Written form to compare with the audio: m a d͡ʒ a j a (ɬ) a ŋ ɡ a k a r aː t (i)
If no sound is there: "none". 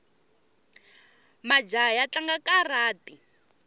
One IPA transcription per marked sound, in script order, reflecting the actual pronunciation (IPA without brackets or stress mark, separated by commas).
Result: t͡ɬ, i